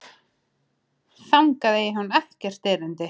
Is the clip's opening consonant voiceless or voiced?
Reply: voiceless